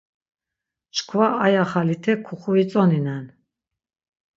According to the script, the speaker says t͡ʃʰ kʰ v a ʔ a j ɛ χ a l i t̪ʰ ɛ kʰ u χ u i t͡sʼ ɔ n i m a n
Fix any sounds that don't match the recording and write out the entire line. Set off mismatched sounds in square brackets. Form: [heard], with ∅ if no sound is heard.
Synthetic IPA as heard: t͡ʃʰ kʰ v a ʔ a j [a] χ a l i t̪ʰ ɛ kʰ u χ u i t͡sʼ ɔ n i [n] a n